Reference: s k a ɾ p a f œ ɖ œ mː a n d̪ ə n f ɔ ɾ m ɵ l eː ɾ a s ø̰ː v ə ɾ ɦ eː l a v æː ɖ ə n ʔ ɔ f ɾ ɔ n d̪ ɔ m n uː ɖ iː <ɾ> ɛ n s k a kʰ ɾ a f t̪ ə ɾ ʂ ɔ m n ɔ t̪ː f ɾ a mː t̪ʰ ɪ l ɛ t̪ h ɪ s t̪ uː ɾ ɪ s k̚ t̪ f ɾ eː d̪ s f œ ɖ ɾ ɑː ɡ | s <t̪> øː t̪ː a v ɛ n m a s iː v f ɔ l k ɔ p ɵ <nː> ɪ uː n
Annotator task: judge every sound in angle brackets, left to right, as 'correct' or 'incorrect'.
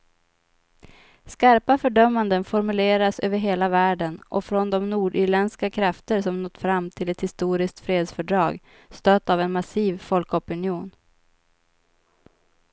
incorrect: ɭ, correct, incorrect: n

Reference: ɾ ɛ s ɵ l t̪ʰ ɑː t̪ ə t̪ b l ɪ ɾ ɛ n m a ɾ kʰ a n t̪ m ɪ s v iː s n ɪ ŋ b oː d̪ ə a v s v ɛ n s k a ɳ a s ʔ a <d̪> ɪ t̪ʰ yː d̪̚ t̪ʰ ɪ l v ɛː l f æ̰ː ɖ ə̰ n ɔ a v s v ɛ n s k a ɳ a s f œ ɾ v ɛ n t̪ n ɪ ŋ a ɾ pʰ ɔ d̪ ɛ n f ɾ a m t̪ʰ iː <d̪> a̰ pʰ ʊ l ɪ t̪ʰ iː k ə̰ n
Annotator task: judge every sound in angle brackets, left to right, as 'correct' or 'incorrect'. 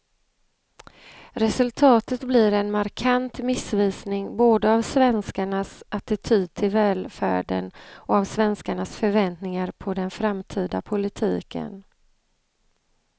incorrect: t̪, correct

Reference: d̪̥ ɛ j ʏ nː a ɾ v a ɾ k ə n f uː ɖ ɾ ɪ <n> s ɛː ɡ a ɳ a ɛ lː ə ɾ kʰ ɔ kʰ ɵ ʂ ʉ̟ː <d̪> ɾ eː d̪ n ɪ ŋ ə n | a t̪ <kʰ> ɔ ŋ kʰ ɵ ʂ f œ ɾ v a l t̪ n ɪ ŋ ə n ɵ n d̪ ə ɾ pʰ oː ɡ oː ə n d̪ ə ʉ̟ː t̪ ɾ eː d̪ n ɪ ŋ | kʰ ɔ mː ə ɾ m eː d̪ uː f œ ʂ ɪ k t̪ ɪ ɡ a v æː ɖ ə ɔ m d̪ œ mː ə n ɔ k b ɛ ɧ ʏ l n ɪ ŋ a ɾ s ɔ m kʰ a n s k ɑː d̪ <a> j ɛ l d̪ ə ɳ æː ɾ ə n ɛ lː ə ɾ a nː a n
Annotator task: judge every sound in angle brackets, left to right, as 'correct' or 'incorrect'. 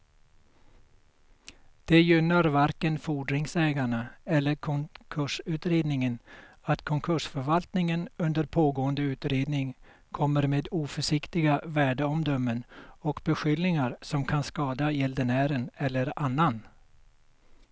incorrect: ŋ, incorrect: t̪, correct, correct

